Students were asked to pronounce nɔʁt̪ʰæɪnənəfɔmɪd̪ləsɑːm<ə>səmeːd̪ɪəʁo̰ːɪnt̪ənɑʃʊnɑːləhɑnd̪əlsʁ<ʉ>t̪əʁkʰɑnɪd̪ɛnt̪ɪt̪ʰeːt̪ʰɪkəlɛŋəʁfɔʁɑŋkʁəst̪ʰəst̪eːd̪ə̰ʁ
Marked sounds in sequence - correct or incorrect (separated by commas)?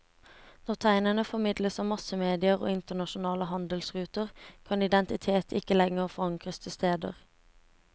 incorrect, incorrect